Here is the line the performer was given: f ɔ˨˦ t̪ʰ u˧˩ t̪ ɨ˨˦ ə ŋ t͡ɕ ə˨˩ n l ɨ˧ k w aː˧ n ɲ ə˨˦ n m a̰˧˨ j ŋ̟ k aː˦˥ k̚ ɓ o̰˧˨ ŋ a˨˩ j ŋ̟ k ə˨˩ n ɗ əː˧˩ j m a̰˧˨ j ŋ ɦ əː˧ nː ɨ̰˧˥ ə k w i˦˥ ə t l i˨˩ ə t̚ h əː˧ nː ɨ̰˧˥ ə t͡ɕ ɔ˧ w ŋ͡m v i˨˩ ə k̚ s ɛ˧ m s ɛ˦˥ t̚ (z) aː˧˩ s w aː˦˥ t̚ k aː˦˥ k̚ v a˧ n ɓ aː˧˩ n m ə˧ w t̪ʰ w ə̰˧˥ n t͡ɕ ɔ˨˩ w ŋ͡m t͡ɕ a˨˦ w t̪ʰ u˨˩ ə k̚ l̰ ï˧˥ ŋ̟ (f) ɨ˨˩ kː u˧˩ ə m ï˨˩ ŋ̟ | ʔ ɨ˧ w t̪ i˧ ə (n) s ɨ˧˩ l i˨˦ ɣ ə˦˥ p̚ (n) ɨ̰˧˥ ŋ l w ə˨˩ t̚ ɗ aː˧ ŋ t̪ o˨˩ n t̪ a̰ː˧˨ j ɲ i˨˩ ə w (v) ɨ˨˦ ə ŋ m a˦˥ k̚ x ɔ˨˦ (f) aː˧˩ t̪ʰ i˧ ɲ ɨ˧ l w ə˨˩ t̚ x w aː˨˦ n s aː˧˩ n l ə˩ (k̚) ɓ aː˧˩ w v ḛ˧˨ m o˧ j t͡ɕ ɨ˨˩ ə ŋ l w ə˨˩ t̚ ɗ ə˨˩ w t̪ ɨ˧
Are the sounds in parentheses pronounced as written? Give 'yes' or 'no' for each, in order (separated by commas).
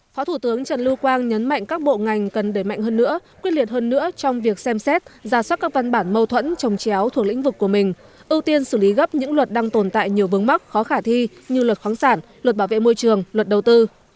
yes, no, yes, no, yes, no, no